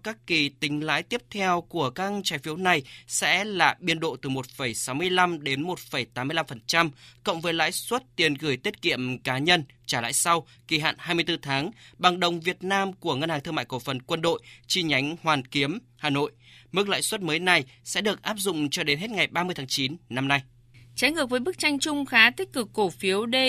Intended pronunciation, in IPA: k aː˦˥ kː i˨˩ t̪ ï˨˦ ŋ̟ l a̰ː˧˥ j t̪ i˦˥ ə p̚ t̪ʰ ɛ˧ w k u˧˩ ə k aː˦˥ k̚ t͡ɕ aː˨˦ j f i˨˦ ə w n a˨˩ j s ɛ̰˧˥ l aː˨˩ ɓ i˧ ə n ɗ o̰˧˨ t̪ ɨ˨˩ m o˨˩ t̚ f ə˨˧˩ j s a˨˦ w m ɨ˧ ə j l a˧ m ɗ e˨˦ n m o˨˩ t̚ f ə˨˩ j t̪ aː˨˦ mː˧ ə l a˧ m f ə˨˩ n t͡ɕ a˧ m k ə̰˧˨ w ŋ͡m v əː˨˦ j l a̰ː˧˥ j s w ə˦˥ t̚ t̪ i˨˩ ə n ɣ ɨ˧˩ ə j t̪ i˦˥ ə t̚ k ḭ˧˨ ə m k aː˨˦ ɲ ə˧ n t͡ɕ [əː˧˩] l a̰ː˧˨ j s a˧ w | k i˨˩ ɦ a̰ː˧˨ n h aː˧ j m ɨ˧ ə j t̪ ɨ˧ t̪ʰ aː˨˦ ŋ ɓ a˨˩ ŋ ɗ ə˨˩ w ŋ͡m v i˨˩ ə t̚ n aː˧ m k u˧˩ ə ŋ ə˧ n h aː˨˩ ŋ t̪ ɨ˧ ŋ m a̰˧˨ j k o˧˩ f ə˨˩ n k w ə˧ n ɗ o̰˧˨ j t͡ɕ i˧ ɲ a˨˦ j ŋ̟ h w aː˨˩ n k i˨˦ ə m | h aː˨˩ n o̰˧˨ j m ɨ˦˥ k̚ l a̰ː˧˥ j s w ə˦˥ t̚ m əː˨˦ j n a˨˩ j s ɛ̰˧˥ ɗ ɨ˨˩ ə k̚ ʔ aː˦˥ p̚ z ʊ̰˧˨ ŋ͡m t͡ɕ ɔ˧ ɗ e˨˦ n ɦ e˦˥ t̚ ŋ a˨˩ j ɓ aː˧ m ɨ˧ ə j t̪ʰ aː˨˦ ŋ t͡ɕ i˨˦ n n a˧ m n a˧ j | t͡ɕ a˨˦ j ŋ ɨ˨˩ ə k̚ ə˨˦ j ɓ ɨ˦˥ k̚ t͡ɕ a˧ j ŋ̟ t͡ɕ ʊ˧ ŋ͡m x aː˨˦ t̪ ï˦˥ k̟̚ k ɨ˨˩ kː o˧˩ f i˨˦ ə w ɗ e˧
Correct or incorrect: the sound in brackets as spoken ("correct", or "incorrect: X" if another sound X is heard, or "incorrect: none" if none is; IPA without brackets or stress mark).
incorrect: aː˧˩